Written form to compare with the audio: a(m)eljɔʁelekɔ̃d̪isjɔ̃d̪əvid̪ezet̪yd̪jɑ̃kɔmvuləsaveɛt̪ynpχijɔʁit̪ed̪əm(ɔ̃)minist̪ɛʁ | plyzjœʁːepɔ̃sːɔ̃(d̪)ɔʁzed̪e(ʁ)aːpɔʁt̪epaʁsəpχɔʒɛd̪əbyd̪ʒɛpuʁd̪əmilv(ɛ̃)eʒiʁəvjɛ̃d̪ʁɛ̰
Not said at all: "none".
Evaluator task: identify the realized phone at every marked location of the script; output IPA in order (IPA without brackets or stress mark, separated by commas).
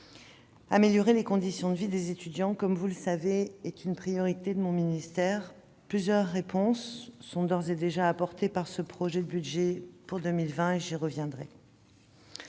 m, ɔ̃, d̪, ʒ, ɛ̃